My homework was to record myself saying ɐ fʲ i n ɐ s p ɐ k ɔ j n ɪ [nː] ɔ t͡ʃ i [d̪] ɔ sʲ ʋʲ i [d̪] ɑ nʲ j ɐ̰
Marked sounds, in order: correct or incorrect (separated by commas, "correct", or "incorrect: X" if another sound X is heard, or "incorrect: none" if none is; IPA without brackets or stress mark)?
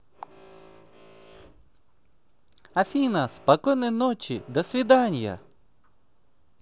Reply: incorrect: n, correct, correct